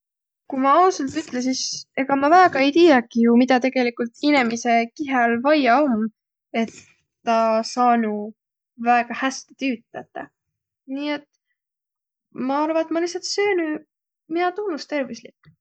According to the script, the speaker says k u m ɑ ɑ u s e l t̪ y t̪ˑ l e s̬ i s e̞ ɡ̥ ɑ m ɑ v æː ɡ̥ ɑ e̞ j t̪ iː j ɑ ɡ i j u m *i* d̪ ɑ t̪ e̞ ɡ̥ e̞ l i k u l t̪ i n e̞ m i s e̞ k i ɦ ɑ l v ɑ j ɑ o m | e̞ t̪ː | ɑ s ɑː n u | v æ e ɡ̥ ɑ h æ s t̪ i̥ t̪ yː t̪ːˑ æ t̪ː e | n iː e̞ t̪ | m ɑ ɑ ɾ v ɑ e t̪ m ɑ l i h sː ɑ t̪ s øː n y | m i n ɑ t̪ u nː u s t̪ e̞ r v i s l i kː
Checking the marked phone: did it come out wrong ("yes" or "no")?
no